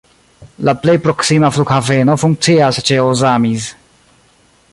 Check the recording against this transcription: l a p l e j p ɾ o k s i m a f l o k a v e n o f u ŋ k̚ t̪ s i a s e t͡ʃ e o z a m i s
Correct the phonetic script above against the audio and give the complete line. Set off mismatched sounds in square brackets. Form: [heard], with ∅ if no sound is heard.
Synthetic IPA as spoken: l a p l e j p ɾ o k s i m a f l [u] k a v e n o f u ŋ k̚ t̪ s i a s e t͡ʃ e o z a m i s